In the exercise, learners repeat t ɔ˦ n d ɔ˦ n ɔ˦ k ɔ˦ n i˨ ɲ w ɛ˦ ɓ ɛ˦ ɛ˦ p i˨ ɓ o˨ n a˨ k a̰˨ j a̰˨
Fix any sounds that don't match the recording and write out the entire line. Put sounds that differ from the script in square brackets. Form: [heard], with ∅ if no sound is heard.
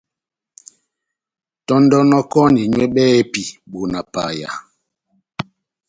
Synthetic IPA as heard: t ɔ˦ n d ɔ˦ n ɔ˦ k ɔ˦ n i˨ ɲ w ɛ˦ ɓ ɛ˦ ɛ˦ p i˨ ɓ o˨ n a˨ [p] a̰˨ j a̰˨